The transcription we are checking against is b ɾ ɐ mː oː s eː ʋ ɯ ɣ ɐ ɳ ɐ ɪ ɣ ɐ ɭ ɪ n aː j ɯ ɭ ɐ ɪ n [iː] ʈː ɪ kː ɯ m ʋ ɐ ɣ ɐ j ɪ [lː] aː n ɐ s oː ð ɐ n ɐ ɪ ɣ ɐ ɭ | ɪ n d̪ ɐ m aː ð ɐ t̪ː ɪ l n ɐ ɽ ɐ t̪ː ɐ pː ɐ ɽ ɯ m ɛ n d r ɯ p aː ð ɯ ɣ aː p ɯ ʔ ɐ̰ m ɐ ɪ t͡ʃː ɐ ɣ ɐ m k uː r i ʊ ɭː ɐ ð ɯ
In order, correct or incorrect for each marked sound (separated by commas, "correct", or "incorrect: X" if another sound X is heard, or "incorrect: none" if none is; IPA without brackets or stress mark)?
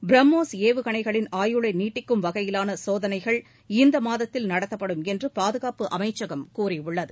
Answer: correct, incorrect: l